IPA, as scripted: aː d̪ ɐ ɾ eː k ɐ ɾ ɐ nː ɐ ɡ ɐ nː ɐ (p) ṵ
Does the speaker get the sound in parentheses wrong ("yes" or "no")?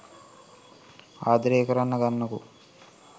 yes